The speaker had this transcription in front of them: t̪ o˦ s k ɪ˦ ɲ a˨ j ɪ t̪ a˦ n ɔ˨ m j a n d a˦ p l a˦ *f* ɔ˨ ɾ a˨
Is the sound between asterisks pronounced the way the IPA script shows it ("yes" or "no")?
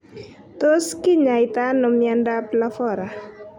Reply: yes